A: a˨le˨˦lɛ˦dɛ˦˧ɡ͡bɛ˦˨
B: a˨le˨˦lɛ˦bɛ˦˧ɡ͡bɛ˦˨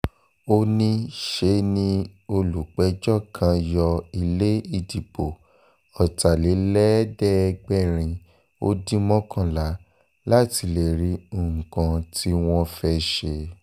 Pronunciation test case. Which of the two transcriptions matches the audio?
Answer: A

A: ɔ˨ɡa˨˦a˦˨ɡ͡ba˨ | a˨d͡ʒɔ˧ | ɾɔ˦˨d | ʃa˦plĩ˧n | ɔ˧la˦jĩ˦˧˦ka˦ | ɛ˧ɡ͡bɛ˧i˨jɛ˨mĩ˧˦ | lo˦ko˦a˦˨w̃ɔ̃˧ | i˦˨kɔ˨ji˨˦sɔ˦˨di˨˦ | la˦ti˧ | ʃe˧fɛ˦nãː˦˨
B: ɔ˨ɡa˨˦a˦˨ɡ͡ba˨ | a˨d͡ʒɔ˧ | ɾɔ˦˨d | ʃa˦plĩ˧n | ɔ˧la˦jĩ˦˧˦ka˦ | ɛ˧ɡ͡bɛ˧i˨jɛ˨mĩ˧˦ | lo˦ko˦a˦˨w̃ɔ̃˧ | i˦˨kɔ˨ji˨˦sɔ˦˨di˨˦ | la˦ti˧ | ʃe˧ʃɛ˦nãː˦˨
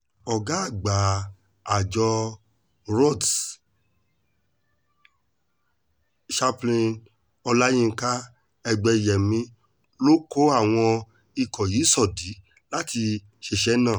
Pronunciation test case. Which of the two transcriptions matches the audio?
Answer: B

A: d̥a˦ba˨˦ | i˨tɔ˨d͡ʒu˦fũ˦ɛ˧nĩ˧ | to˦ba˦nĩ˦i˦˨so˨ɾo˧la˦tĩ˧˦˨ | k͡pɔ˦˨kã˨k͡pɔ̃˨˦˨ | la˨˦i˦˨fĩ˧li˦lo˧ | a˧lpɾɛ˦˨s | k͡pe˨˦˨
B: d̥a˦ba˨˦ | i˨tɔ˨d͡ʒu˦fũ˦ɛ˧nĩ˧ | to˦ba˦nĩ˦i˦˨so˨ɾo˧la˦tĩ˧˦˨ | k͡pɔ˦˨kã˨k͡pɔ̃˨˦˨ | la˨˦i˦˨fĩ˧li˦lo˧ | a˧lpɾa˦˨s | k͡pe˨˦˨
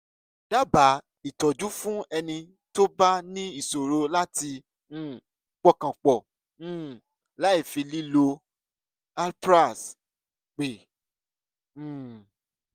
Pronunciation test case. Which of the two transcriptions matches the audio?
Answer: B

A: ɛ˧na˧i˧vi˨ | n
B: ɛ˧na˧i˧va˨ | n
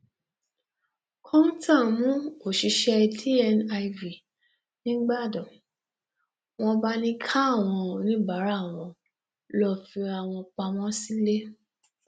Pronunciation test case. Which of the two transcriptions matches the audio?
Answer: A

